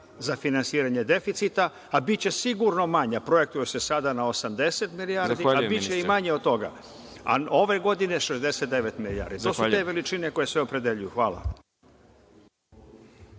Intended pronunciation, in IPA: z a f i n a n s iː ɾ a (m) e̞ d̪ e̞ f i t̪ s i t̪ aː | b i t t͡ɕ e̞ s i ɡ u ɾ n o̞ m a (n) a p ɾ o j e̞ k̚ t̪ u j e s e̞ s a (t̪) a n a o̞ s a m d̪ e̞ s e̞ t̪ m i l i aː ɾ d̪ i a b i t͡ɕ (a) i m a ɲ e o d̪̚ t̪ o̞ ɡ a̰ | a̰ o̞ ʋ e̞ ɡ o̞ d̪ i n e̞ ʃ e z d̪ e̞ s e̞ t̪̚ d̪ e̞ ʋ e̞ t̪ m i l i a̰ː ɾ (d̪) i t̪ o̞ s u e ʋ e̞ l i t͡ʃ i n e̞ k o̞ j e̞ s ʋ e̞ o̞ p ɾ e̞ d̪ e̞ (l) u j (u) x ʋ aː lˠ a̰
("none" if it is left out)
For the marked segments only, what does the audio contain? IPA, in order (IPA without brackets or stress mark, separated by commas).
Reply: ɲ, ɲ, d̪, e, d̪, ʎ, u